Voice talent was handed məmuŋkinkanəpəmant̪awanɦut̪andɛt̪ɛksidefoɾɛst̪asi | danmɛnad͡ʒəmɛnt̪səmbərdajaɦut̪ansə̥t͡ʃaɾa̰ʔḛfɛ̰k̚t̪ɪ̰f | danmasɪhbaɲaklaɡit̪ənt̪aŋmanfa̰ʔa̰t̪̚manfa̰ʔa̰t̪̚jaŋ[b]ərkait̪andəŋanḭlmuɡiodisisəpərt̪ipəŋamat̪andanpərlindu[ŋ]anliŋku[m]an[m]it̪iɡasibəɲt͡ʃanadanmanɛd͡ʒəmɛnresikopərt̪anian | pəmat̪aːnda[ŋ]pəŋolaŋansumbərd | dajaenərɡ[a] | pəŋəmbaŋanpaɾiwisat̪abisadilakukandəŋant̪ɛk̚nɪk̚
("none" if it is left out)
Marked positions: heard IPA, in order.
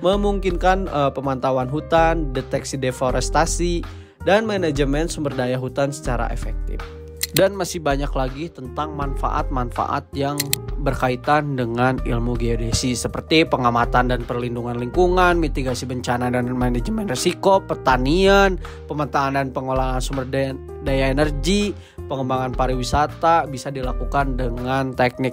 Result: b, ŋ, ŋ, m, n, i

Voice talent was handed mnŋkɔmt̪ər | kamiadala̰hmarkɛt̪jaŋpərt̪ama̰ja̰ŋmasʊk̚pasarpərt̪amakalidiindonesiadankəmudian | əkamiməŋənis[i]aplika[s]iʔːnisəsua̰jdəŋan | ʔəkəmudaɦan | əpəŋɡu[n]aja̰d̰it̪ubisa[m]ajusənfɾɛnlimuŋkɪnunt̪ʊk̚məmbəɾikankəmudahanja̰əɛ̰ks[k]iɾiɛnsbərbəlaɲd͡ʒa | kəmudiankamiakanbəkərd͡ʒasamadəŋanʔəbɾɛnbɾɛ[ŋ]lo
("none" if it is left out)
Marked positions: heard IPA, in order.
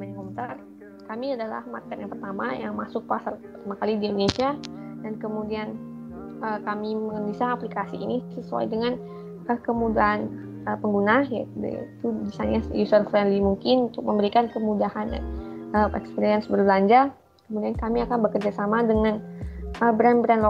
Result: a, s, n, ɲ, p, n

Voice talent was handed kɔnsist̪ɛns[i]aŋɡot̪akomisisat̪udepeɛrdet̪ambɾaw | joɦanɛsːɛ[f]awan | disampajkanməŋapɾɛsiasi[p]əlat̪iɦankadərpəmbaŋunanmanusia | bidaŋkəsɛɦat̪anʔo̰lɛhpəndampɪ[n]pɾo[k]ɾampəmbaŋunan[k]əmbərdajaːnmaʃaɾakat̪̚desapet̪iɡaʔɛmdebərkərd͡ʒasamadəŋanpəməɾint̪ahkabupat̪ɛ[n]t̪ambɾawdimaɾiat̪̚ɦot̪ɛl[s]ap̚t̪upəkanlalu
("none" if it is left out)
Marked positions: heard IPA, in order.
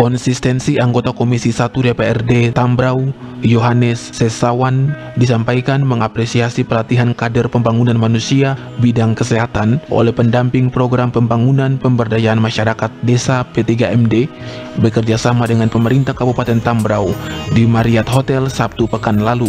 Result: i, s, p, ŋ, ɡ, p, n, s

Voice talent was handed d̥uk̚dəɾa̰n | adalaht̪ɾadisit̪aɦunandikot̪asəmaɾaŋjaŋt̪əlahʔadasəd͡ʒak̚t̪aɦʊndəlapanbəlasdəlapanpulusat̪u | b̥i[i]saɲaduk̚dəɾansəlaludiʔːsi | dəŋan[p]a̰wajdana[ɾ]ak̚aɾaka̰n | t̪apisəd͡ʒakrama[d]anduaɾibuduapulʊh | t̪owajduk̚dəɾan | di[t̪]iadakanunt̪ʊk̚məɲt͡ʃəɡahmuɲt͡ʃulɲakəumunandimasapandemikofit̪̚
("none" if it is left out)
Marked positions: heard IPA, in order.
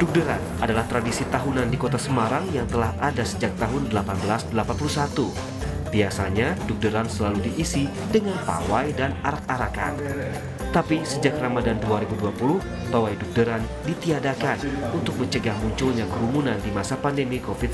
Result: a, p, ɾ, d, t̪

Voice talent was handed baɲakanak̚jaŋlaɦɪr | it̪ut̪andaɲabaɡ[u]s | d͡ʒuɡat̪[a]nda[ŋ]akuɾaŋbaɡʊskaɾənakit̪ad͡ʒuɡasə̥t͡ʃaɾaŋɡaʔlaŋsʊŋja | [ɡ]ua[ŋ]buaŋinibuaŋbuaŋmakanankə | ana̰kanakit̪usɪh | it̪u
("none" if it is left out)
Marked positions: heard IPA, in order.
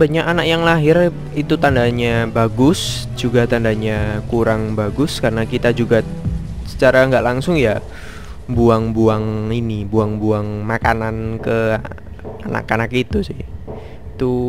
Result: ʊ, a, ɲ, b, ŋ

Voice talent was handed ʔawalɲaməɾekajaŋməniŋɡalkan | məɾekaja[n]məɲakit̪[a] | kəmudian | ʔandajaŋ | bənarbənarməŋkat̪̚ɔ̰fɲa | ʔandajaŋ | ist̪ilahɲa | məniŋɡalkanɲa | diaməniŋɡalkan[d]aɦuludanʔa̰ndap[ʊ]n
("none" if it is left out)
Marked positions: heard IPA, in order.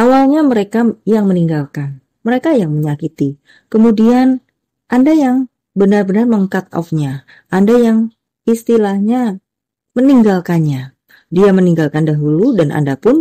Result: ŋ, i, d, ʊ

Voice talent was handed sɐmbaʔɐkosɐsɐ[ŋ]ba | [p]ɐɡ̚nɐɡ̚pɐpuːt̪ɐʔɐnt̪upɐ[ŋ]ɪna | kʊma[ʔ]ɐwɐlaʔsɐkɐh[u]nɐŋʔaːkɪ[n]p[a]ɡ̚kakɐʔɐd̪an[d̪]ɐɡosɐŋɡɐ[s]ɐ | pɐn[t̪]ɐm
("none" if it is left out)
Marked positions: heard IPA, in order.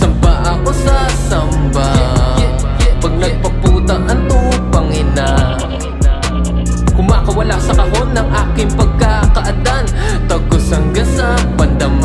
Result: m, p, ŋ, k, o, ŋ, ɐ, t̪, s, d̪

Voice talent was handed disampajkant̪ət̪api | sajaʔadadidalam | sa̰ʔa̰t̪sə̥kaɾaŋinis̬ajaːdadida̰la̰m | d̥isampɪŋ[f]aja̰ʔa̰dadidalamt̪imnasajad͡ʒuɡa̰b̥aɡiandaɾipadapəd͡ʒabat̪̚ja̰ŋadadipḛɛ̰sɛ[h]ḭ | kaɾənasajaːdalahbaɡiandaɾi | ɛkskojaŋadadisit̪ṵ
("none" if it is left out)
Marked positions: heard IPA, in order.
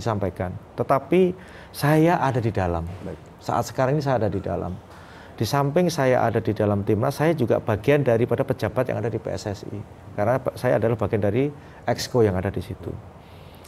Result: s, s

